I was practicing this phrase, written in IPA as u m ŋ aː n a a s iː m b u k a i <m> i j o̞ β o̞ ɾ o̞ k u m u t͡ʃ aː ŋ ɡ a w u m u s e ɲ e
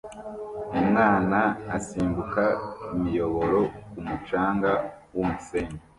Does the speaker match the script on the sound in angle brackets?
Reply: yes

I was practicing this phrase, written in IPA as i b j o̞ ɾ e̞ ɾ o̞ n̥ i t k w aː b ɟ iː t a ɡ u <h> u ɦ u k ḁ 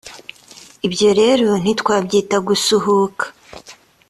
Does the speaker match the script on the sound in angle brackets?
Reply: no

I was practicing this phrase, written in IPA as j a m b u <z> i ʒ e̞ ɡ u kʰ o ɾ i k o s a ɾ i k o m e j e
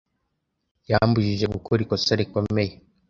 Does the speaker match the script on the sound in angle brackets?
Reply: no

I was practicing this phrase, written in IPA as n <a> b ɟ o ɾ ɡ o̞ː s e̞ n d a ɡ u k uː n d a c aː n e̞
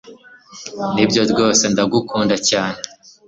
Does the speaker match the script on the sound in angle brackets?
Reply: no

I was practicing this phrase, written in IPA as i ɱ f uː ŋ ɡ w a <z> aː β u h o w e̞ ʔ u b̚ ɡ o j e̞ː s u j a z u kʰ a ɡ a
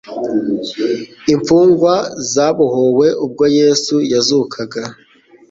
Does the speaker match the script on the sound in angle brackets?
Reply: yes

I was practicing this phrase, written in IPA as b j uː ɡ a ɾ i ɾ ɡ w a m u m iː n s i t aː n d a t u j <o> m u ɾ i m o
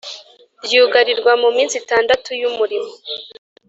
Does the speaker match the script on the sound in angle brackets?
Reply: no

